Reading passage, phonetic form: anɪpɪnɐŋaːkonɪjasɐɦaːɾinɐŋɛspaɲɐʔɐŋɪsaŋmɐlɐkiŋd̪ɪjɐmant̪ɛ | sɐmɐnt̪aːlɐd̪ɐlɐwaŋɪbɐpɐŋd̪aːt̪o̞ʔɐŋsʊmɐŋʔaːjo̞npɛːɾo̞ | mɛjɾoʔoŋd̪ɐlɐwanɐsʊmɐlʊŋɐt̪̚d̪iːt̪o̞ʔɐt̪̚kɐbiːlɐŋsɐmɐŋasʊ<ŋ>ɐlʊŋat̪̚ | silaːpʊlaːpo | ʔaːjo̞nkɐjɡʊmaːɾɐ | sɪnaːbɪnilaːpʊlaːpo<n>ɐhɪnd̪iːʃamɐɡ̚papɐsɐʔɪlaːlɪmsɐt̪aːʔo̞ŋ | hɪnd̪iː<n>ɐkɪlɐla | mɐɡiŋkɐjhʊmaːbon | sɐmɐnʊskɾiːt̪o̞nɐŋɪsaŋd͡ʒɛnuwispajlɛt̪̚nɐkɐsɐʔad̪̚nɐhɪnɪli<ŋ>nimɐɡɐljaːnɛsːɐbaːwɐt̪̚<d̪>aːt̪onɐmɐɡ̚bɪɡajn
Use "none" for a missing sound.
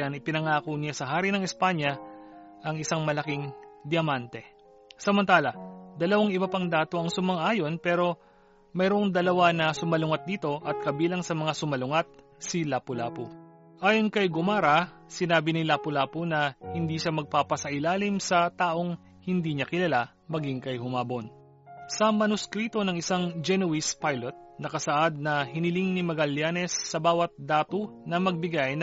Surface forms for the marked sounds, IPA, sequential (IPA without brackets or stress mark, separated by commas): m, n, ɲ, ŋ, d̪